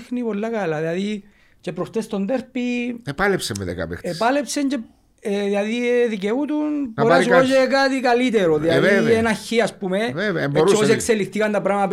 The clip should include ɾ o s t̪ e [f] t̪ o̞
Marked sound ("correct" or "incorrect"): incorrect